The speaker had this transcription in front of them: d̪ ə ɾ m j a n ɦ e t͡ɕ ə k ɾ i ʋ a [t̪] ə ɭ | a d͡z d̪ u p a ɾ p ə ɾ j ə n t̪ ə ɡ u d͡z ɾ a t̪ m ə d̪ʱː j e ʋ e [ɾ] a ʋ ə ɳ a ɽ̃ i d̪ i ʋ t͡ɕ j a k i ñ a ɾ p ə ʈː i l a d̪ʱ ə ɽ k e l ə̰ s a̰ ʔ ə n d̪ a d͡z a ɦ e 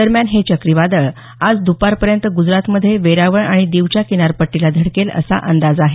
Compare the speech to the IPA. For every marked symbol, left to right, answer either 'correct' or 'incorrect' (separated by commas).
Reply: incorrect, correct